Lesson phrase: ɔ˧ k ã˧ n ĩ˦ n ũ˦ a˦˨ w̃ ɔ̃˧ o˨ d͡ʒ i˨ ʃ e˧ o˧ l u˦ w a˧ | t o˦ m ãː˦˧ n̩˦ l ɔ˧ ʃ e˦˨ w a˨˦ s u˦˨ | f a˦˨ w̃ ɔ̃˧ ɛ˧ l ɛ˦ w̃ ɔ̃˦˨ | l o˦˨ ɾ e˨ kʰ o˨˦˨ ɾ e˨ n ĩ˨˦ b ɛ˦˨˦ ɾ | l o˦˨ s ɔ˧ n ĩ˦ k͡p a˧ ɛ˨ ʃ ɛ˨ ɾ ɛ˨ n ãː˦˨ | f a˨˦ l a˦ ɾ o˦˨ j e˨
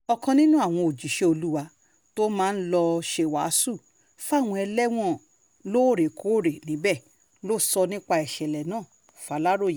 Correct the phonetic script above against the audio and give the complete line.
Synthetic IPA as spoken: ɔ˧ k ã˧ n ĩ˦ n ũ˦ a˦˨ w̃ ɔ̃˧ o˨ d͡ʒ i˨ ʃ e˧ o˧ l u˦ w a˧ | t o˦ m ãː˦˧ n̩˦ l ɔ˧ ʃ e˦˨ w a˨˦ s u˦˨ | f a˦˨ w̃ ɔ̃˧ ɛ˧ l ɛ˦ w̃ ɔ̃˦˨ | l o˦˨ ɾ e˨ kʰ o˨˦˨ ɾ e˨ n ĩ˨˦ b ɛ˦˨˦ | l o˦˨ s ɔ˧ n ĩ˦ k͡p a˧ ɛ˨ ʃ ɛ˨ l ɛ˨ n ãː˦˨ | f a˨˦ l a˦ ɾ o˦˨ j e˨

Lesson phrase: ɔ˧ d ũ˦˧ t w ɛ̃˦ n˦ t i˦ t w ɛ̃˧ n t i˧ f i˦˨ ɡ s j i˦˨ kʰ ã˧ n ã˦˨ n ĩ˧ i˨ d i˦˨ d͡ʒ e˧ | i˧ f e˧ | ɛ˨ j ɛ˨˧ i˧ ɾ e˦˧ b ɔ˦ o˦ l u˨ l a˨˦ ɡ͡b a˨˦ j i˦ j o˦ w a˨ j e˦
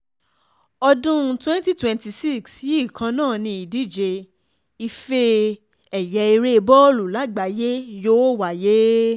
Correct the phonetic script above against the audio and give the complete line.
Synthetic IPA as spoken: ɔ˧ d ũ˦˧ t w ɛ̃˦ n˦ t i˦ t w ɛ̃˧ n t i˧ s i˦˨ k s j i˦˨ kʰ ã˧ n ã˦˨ n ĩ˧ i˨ d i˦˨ d͡ʒ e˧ | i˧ f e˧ | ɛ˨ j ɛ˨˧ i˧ ɾ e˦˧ b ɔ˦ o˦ l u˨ l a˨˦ ɡ͡b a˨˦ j e˦ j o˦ w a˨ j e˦

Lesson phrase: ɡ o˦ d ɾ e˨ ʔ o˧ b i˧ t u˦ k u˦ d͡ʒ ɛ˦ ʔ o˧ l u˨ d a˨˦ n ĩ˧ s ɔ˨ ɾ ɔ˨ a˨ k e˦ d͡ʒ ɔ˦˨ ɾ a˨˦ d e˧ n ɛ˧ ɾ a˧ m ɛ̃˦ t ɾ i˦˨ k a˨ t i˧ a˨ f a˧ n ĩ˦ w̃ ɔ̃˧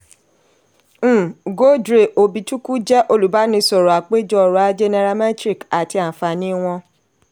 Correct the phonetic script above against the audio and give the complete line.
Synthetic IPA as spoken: ɡ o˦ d ɾ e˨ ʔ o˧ b i˧ t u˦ k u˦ d͡ʒ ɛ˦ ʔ o˧ l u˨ b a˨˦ n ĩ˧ s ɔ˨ ɾ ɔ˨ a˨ k͡p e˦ d͡ʒ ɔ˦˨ ɾ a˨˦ d͡ʒ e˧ n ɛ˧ ɾ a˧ m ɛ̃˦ t ɾ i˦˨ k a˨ t i˧ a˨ f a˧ n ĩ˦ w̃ ɔ̃˧

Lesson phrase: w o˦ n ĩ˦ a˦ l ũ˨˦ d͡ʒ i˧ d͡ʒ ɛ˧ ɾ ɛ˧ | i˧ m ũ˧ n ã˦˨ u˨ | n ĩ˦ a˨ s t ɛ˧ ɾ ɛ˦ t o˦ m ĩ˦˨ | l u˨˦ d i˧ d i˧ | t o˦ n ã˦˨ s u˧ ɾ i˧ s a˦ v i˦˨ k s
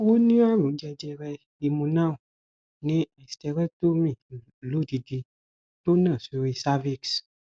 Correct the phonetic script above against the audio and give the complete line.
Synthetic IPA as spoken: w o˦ n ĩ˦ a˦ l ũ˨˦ d͡ʒ ɛ˧ d͡ʒ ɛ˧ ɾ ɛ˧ | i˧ m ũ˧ n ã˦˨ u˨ | n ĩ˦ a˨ s t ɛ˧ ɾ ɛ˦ t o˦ m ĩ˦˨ | l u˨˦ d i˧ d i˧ | t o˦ n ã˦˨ s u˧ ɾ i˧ s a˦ v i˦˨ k s

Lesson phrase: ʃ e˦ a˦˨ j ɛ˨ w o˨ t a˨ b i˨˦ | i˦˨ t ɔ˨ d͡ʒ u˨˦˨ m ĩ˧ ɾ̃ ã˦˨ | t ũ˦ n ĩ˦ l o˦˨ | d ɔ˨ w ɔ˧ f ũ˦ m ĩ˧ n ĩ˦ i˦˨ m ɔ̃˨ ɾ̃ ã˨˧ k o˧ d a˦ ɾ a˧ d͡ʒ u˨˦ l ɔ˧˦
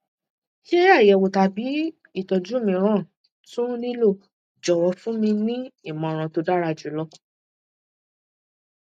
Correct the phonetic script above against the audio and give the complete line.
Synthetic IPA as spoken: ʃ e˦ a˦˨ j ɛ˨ w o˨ t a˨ b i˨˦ | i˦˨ t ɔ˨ d͡ʒ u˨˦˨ m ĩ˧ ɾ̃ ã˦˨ | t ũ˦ n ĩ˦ l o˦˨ | d͡ʒ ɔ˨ w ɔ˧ f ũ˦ m ĩ˧ n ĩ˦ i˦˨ m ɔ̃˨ ɾ̃ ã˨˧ t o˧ d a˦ ɾ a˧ d͡ʒ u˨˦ l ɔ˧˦

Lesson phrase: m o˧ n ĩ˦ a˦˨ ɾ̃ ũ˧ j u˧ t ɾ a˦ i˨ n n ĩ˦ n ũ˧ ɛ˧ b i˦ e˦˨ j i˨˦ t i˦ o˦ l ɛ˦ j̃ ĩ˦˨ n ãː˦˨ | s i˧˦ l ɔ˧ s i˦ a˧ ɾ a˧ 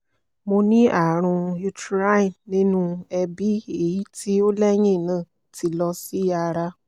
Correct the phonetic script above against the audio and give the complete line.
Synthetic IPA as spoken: m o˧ n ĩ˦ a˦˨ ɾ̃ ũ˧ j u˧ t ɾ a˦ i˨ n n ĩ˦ n ũ˧ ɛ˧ b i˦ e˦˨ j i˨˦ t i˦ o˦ l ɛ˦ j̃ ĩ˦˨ n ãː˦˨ | t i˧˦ l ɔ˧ s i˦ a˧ ɾ a˧

